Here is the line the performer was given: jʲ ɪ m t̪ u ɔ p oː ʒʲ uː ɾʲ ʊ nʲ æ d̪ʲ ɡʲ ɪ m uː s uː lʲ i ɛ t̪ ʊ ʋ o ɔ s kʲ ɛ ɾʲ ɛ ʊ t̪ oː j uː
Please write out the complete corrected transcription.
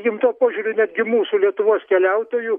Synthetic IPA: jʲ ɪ m t̪ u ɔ p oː ʒʲ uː ɾʲ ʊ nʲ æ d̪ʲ ɡʲ ɪ m uː s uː lʲ i ɛ t̪ ʊ ʋ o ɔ s kʲ ɛ lʲ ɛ ʊ t̪ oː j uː